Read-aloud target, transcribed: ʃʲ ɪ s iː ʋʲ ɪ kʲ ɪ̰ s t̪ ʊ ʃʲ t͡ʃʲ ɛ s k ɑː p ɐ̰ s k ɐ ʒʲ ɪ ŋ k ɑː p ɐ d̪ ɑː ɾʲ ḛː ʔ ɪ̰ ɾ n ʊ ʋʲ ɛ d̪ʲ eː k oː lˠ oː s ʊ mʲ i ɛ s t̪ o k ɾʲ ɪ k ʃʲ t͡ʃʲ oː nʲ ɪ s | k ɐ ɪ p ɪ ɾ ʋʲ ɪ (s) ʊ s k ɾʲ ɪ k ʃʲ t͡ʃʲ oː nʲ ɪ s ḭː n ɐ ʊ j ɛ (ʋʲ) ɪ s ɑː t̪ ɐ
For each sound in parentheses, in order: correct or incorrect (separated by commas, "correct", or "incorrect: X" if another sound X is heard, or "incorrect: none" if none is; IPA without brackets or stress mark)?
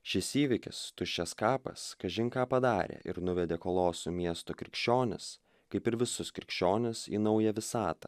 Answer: correct, correct